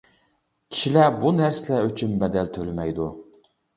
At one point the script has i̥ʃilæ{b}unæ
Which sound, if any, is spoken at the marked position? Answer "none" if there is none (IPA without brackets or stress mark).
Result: b